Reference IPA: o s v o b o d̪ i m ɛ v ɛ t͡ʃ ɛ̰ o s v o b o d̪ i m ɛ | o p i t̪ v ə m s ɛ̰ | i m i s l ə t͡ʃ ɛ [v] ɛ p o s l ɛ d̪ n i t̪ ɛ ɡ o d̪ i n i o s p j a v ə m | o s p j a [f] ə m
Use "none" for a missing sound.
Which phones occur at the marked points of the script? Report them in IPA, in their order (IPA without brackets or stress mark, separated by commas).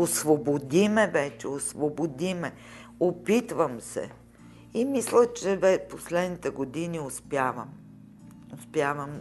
v, v